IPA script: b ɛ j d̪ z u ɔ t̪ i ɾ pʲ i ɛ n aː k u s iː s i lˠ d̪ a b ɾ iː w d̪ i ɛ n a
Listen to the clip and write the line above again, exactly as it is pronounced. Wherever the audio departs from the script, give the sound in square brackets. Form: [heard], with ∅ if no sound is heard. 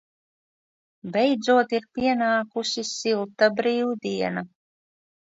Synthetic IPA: b ɛ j d̪ z u ɔ t̪ i ɾ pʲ i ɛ n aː k u s [i] s i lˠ [t̪] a b ɾ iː w d̪ i ɛ n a